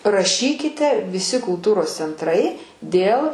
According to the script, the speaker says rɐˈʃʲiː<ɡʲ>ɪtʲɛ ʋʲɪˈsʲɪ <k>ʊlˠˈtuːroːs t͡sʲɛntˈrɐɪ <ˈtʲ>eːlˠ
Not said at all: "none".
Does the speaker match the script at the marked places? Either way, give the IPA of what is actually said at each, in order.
kʲ, k, dʲ

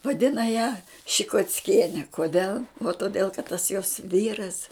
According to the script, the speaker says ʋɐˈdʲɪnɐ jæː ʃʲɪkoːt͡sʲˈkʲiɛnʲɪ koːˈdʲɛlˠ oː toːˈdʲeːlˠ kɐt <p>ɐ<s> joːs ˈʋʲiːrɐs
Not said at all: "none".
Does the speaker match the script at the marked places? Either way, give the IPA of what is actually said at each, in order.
t, s

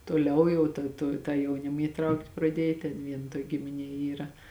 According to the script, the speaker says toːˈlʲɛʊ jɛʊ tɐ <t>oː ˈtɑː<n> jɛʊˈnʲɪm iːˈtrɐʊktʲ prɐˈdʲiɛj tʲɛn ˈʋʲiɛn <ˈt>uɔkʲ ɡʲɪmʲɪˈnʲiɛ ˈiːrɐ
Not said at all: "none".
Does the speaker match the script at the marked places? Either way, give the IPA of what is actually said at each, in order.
t, none, t

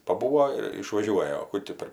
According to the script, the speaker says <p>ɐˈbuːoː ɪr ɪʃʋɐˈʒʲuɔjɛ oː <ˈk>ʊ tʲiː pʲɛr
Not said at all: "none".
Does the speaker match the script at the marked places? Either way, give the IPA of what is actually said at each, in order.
p, k

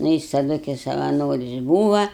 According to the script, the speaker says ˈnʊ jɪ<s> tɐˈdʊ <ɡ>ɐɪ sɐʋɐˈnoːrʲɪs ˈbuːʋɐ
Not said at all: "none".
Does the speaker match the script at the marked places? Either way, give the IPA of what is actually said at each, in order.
s, k

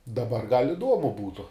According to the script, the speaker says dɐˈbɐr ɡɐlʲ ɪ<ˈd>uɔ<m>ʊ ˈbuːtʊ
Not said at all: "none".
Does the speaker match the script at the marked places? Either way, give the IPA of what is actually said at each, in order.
d, m

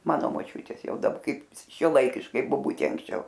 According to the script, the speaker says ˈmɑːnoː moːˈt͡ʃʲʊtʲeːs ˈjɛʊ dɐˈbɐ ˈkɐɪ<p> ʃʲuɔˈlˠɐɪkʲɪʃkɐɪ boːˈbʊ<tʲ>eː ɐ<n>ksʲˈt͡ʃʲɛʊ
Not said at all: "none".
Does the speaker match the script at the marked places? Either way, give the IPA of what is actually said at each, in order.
p, tʲ, ŋ

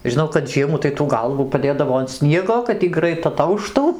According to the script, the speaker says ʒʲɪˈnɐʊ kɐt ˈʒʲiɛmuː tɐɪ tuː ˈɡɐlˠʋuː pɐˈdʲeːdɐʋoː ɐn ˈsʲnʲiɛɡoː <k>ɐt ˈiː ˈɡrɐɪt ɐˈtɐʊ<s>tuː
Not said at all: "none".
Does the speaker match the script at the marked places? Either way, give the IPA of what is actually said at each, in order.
k, ʃ

